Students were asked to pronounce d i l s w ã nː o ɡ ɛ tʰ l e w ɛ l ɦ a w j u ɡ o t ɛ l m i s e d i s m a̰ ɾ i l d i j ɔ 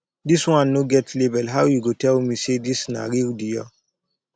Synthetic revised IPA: d i s w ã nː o ɡ ɛ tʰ l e b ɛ l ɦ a w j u ɡ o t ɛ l m i s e d i s n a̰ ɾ i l d i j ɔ